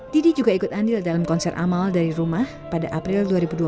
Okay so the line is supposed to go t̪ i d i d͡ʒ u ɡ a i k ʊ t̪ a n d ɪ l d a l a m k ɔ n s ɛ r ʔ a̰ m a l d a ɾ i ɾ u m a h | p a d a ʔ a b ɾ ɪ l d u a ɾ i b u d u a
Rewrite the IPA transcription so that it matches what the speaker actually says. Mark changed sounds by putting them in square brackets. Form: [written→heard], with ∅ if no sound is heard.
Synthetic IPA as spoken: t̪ i d i d͡ʒ u ɡ a i k ʊ t̪ a n d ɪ l d a l a m k ɔ n s ɛ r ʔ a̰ m a l d a ɾ i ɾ u m a h | p a d a ʔ a [b→p] ɾ ɪ l d u a ɾ i b u d u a